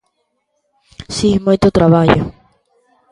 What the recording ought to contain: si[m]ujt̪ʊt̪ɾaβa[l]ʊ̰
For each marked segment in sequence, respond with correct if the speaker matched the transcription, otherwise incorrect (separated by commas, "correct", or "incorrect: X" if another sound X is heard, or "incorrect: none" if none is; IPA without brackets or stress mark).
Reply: correct, incorrect: ʎ